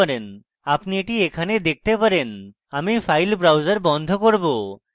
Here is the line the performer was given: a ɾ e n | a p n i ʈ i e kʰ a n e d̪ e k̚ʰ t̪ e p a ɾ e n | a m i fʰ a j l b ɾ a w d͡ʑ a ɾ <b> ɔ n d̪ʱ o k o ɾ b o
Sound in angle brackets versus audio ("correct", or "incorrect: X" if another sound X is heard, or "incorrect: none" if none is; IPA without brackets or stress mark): correct